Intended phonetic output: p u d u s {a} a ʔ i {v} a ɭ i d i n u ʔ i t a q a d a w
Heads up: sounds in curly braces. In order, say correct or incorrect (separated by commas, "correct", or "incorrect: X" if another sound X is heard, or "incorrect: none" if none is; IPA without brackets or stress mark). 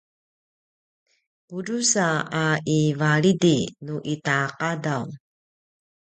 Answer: correct, correct